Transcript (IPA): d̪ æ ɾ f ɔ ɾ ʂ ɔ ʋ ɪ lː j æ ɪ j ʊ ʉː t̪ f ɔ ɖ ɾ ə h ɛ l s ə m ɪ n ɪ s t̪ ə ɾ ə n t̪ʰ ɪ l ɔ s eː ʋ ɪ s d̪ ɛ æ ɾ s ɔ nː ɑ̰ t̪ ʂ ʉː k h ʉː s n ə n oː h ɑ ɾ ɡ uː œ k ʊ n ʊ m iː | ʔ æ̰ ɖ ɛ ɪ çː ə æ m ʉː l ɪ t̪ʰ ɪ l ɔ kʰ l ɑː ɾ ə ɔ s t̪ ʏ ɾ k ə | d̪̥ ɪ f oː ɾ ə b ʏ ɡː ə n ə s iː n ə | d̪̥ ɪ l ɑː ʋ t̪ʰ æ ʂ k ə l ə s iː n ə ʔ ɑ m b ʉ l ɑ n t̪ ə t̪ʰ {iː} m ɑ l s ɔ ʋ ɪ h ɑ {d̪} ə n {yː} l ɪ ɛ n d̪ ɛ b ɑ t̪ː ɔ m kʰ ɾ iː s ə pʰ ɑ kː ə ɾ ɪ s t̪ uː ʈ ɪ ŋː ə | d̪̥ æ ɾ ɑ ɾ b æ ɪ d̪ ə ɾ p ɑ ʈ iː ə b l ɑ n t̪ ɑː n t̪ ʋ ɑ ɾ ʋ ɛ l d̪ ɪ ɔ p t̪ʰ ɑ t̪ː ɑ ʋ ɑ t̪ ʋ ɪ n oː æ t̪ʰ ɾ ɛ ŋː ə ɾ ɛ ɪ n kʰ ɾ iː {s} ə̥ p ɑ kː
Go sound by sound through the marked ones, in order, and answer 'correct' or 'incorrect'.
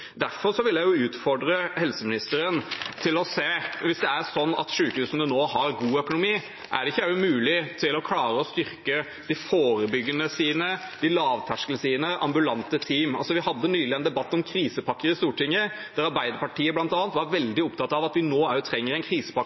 correct, incorrect, correct, correct

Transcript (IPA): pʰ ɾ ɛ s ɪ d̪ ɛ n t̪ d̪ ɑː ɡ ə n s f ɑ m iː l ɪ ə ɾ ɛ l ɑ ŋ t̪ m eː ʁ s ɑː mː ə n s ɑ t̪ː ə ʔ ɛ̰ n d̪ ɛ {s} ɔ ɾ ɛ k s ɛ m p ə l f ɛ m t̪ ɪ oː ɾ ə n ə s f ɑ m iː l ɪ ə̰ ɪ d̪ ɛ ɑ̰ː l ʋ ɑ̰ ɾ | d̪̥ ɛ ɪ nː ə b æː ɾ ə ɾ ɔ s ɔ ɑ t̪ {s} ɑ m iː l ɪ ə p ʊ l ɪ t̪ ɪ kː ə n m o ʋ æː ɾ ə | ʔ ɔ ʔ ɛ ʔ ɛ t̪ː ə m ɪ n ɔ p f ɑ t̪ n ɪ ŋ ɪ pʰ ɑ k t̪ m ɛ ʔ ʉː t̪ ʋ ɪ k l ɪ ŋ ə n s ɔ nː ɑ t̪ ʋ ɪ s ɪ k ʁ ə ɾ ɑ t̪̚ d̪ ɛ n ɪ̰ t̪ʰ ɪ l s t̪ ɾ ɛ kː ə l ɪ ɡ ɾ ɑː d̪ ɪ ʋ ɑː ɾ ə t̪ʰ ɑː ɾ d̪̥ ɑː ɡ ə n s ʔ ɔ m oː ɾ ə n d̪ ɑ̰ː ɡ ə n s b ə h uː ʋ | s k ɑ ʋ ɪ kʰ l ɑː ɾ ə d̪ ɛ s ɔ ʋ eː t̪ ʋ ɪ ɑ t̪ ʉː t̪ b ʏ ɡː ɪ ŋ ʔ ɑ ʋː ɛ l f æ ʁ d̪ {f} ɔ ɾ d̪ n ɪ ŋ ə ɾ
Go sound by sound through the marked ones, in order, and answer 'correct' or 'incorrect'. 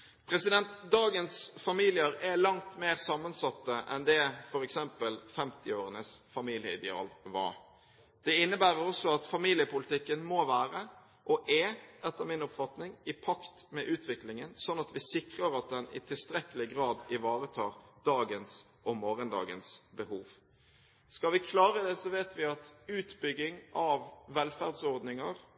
incorrect, incorrect, incorrect

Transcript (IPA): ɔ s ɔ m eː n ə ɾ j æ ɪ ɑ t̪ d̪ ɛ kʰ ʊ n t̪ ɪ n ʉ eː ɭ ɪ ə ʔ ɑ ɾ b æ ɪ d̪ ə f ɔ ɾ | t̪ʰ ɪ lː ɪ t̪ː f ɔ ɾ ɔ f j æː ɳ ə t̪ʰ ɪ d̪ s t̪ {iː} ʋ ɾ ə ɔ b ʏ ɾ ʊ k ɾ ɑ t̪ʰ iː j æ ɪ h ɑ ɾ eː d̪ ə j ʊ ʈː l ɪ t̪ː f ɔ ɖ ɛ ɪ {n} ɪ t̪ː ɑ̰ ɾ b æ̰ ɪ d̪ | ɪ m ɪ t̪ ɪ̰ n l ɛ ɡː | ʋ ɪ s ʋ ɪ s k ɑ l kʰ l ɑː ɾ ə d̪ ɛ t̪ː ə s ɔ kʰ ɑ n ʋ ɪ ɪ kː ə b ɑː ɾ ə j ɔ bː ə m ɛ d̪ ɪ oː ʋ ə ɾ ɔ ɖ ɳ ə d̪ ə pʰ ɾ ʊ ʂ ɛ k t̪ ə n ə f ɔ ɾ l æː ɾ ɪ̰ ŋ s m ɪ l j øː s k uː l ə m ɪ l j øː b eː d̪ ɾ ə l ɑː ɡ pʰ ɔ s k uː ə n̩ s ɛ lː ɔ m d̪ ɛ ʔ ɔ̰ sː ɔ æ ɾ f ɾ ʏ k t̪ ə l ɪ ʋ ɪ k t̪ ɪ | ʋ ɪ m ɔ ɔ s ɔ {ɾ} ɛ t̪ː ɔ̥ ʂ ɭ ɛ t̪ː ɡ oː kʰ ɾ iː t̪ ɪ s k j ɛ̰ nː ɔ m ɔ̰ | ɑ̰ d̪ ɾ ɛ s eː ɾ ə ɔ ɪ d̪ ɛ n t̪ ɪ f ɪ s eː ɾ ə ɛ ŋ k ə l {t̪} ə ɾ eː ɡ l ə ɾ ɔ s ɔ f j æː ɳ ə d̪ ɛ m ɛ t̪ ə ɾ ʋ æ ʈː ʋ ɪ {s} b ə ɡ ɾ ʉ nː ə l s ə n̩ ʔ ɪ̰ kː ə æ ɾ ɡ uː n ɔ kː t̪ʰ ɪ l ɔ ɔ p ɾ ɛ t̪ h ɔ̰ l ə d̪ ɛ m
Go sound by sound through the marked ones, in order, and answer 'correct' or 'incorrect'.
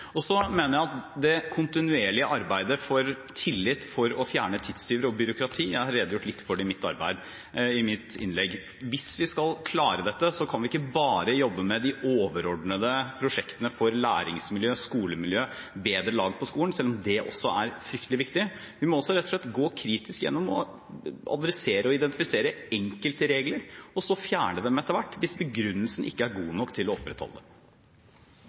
incorrect, incorrect, correct, correct, correct

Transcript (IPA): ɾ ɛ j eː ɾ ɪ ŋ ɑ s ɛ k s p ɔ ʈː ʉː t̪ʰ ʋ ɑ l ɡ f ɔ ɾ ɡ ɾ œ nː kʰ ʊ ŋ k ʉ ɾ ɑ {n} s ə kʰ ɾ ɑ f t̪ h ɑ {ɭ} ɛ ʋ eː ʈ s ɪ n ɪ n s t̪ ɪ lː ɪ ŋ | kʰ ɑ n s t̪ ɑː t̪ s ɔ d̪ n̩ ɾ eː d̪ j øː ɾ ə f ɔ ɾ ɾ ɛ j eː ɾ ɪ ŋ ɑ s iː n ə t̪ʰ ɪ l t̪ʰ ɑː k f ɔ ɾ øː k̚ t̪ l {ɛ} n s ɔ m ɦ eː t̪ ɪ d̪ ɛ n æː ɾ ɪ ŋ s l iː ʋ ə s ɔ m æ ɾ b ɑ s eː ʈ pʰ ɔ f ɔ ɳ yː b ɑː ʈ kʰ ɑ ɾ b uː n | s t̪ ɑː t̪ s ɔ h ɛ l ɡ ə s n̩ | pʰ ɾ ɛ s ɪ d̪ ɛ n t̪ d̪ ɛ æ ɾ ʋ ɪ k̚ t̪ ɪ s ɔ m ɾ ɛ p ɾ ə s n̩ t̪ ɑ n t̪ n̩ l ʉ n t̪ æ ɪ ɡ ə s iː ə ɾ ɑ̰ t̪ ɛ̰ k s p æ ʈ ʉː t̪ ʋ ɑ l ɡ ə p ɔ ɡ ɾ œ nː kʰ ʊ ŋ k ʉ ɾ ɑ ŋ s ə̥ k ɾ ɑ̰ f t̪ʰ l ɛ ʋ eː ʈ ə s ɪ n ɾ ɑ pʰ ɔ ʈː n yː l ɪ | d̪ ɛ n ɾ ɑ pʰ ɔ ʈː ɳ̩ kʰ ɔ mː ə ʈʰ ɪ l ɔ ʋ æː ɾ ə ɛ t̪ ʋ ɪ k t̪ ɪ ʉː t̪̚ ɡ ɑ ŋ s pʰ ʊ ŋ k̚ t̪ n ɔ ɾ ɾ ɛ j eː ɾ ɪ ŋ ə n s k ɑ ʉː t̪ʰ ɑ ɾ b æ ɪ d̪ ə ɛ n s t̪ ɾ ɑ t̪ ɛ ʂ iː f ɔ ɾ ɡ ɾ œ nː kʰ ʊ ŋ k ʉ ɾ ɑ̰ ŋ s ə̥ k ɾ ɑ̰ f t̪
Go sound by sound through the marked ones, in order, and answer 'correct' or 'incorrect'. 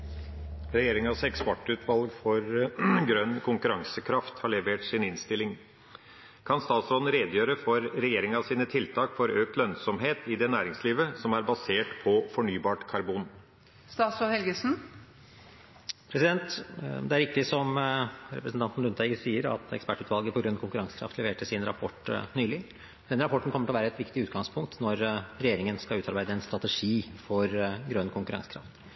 incorrect, correct, incorrect

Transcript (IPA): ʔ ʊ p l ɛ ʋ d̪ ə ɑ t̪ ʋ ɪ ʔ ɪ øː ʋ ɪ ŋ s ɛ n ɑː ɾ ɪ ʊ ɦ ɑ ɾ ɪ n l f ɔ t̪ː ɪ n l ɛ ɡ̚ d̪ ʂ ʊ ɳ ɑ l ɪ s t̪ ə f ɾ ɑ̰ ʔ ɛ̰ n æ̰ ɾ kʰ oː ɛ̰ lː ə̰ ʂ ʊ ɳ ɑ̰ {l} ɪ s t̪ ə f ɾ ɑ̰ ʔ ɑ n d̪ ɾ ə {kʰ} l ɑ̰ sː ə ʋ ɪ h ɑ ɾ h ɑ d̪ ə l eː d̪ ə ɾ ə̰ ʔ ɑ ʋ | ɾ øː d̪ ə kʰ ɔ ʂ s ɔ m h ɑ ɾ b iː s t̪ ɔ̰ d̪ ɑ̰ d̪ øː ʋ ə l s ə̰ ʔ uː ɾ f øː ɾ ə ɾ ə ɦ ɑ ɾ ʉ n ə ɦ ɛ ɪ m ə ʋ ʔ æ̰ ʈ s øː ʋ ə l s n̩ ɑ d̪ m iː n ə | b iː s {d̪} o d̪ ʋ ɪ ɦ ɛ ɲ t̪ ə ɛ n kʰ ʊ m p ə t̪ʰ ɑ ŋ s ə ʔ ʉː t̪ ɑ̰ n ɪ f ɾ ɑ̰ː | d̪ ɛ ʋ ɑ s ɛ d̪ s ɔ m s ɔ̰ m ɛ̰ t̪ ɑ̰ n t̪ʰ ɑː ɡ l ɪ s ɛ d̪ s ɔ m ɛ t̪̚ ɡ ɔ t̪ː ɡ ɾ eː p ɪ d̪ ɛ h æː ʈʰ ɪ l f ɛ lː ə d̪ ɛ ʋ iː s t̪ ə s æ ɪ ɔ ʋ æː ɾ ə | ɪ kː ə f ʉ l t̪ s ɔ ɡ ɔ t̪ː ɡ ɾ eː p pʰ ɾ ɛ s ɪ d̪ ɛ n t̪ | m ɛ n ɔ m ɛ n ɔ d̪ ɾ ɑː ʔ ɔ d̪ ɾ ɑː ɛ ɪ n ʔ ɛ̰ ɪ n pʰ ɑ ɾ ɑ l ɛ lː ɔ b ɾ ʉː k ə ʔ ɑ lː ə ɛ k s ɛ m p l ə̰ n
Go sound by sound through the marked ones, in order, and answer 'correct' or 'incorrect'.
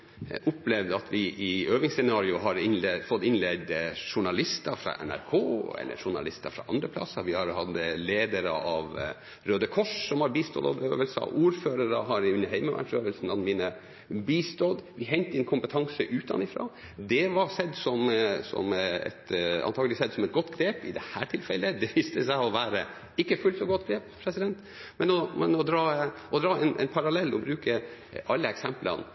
correct, incorrect, incorrect

